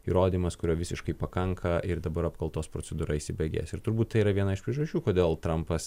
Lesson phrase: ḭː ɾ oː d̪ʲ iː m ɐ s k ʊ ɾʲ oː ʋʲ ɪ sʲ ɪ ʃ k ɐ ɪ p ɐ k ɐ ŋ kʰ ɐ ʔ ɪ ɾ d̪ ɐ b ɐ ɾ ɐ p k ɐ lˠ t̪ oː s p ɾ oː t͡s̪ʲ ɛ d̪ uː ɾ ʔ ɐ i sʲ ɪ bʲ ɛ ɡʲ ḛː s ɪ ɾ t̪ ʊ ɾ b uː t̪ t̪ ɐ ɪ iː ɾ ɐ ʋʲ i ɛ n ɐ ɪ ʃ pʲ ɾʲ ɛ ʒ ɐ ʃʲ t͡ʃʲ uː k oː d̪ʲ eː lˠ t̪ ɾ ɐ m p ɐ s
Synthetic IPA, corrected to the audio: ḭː ɾ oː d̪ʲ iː m ɐ s k ʊ ɾʲ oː ʋʲ ɪ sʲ ɪ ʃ k ɐ ɪ p ɐ k ɐ ŋ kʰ ɐ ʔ ɪ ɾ d̪ ɐ b ɐ ɾ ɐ p k ɐ lˠ t̪ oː s p ɾ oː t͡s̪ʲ ɛ d̪ uː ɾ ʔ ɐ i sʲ ɪ bʲ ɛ ɡʲ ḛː s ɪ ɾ t̪ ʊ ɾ b uː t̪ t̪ ɐ ɪ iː ɾ ɐ ʋʲ i ɛ n ɐ ɪ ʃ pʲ ɾʲ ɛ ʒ ɐ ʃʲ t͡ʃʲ uː k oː d̪ʲ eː lˠ t̪ ɾ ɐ m p ɐ s